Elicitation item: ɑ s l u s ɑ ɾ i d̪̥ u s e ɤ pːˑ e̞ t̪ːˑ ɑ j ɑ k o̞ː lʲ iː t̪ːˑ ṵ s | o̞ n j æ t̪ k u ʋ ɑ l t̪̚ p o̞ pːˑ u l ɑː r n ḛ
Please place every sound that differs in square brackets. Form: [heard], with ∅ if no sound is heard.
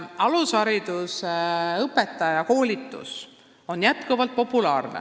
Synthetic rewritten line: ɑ [∅] l u s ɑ ɾ i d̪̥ u s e ɤ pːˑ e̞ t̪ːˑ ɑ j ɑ k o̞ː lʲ [i] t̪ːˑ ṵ s | o̞ n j æ t̪ k u [v] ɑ l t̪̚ p o̞ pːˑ u l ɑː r n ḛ